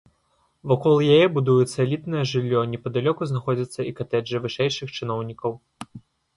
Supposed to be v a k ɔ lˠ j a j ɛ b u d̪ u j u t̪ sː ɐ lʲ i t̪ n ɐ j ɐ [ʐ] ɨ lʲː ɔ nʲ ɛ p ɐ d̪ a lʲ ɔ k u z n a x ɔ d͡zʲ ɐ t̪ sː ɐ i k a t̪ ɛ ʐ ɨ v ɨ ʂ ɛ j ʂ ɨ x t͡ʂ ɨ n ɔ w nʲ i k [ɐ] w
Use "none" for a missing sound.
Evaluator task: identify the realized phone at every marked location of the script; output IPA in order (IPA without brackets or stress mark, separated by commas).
ʐ, ɐ